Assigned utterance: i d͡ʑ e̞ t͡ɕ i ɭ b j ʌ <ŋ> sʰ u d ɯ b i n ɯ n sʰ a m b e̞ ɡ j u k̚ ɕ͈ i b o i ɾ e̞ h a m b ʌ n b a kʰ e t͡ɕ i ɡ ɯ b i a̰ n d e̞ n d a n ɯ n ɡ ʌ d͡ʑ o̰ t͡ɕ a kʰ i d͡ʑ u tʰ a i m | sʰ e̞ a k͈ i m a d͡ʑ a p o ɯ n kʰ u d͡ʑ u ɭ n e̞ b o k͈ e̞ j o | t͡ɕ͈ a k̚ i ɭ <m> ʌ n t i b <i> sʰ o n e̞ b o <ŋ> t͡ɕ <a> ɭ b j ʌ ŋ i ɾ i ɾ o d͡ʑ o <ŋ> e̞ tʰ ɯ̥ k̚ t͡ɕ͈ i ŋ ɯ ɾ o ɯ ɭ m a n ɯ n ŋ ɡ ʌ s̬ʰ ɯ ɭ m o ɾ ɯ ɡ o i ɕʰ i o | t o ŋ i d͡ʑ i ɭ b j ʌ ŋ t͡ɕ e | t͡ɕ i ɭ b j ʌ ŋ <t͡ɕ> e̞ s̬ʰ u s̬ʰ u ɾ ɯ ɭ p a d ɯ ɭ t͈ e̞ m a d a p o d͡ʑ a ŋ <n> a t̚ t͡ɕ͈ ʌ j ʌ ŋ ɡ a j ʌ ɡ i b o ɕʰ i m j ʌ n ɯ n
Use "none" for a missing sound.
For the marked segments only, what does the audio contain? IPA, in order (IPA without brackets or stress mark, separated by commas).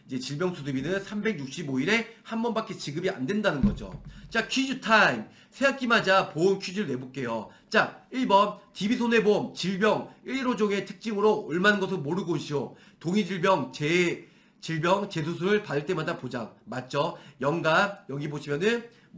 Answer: ŋ, b, i, m, i, ŋ, t͡ɕ, m